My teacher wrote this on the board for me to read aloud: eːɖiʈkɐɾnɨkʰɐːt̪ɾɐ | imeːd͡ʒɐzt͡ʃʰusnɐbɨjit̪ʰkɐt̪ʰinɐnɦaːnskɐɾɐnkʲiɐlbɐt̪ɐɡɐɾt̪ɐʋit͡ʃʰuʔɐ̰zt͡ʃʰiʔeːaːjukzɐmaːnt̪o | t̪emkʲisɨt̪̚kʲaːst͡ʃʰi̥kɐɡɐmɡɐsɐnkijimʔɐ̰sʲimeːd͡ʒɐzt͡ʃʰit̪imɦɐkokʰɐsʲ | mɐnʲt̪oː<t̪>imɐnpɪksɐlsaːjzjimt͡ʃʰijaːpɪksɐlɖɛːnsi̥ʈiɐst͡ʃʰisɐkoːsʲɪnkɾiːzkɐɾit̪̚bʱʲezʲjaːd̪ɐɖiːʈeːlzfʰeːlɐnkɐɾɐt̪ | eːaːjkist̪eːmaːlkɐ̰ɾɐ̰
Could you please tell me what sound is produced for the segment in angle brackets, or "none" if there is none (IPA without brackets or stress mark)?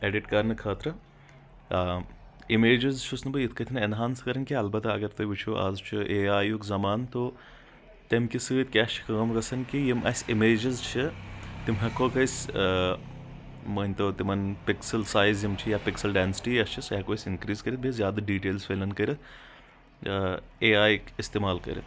t̪